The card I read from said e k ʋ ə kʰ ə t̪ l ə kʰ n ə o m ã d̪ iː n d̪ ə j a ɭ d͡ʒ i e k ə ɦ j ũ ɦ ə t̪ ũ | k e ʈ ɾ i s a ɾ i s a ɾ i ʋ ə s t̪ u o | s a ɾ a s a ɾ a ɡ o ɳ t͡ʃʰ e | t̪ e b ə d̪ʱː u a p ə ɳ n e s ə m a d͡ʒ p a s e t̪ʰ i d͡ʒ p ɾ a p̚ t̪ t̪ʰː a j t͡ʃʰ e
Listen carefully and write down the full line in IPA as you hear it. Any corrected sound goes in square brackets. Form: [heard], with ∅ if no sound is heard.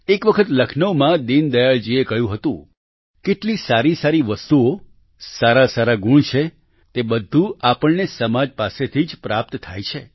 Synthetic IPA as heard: e k ʋ ə kʰ ə t̪ l ə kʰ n ə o m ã d̪ [i] n d̪ ə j a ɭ d͡ʒ i e k ə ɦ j ũ ɦ ə t̪ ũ | k e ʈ [l] i s a ɾ i s a ɾ i ʋ ə s t̪ u o | s a ɾ a s a ɾ a ɡ [u] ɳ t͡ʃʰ e | t̪ e b ə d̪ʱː u a p ə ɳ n e s ə m a d͡ʒ p a s e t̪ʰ i d͡ʒ p ɾ a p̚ t̪ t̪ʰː a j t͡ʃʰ e

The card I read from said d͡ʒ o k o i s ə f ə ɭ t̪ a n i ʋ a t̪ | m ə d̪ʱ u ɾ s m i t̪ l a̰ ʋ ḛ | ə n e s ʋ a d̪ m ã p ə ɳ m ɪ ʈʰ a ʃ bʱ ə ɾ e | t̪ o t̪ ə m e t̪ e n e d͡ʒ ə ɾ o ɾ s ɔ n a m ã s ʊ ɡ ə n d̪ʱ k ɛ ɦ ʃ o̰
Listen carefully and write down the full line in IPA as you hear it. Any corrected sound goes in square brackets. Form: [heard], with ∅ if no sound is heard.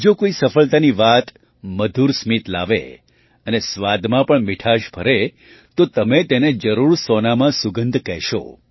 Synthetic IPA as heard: d͡ʒ o k o i s ə f ə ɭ t̪ a n i ʋ a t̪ | m ə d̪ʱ u ɾ s m i t̪ l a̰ ʋ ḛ | ə n e s ʋ a d̪ m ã p ə ɳ m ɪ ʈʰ a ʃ bʱ ə ɾ e | t̪ o t̪ ə m e t̪ e n e d͡ʒ ə ɾ [u] ɾ s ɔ n a m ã s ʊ ɡ ə n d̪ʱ k ɛ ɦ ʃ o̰

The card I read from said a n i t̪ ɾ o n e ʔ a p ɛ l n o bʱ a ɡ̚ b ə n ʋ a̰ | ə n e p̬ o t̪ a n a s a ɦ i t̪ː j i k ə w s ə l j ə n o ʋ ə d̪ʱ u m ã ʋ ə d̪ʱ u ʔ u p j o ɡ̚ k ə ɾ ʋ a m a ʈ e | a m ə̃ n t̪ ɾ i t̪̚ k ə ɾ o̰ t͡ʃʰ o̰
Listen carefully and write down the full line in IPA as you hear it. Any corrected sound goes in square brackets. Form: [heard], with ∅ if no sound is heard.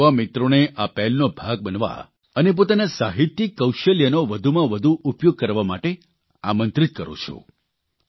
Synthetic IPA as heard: a [m] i t̪ ɾ o n e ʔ a p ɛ l n o bʱ a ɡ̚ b ə n ʋ a̰ | ə n e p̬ o t̪ a n a s a ɦ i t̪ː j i k ə w [ʃ] ə l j ə n o ʋ ə d̪ʱ u m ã ʋ ə d̪ʱ u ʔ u p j o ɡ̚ k ə ɾ ʋ a m a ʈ e | a m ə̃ n t̪ ɾ i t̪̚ k ə ɾ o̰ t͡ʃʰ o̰

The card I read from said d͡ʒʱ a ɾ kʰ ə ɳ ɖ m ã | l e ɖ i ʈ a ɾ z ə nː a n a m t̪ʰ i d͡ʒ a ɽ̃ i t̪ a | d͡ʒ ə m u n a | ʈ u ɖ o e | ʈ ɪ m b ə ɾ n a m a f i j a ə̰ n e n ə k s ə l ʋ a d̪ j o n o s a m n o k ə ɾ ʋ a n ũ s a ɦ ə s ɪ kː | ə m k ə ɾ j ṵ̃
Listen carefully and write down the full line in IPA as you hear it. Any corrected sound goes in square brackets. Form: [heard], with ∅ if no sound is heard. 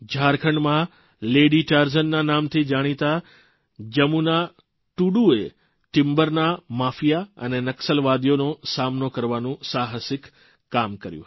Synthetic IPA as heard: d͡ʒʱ a ɾ kʰ ə ɳ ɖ m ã | l e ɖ i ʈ a ɾ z ə nː a n a m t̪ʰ i d͡ʒ a ɽ̃ i t̪ a | d͡ʒ ə m u n a | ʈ u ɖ [u] e | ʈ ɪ m b ə ɾ n a m a f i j a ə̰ n e n ə k s ə l ʋ a d̪ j o n o s a m n o k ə ɾ ʋ a n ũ s a ɦ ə s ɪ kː | [a] m k ə ɾ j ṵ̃

